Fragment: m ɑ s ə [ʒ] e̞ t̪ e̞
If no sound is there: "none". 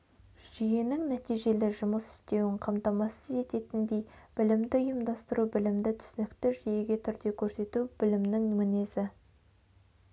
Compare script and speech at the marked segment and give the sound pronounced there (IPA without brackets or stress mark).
z